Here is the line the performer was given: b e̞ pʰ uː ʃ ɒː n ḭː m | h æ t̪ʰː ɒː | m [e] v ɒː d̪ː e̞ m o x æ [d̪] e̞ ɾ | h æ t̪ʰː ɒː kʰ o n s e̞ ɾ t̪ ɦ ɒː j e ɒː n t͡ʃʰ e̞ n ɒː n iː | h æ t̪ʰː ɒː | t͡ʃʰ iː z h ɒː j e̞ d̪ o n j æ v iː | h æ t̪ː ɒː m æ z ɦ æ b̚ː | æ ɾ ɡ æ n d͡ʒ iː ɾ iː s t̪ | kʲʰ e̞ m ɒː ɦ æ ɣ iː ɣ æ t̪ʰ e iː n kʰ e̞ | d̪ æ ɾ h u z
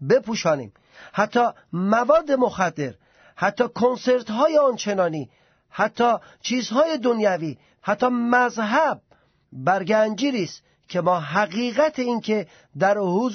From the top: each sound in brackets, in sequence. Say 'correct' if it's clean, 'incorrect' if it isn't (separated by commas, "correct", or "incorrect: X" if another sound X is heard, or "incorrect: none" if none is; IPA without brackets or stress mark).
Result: incorrect: æ, incorrect: d̪ː